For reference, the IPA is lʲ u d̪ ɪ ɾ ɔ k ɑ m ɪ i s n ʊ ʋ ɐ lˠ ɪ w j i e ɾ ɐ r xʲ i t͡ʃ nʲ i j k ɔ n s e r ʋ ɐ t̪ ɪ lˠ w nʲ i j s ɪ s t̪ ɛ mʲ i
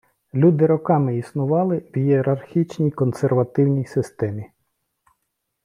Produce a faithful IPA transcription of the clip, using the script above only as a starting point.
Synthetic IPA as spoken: lʲ u d̪ ɪ ɾ ɔ k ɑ m ɪ i s n ʊ ʋ ɑ lˠ ɪ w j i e ɾ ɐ r xʲ i t͡ʃ nʲ i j k ɔ n s e r ʋ ɐ t̪ ɪ w nʲ i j s ɪ s t̪ ɛ mʲ i